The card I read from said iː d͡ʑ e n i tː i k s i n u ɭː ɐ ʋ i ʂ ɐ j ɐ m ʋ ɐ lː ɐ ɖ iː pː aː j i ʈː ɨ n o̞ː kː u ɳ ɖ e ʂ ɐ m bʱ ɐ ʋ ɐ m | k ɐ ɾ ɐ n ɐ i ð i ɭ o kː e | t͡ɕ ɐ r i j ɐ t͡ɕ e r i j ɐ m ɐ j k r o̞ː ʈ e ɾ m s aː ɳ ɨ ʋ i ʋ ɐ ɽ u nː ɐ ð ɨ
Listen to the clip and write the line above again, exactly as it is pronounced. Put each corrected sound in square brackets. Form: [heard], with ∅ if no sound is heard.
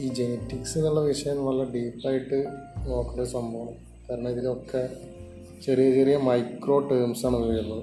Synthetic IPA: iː d͡ʑ e n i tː i k s i n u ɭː ɐ ʋ i ʂ ɐ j ɐ m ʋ ɐ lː ɐ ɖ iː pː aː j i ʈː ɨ n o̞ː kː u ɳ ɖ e [s] ɐ m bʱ ɐ ʋ ɐ m | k ɐ ɾ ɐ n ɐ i ð i [l] o kː e | t͡ɕ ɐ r i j ɐ t͡ɕ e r i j ɐ m ɐ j k r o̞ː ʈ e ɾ m s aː ɳ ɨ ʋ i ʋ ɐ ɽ u nː ɐ ð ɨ